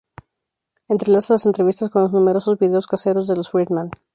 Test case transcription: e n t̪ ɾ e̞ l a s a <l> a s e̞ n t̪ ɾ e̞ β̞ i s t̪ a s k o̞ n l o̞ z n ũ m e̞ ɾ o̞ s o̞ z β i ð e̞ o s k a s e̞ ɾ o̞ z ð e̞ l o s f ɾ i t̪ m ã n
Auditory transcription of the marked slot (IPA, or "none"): l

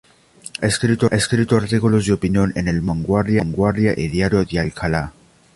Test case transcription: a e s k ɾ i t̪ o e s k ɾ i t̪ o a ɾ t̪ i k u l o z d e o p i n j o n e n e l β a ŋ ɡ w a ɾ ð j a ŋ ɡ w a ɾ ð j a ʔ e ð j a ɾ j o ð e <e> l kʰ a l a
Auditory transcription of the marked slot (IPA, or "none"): a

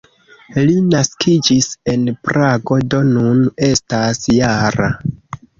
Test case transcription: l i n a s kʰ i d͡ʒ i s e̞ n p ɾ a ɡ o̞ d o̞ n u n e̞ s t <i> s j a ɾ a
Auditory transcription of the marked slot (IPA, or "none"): a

